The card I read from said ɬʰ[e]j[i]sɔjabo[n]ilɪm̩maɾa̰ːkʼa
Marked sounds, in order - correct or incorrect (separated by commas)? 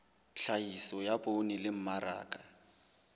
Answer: incorrect, correct, correct